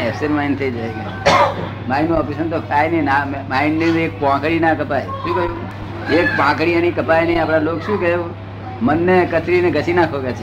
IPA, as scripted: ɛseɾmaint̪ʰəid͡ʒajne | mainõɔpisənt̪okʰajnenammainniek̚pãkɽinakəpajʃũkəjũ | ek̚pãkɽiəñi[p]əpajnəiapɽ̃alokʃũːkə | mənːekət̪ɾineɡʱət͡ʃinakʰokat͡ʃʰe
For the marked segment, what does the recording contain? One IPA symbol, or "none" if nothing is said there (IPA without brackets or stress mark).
k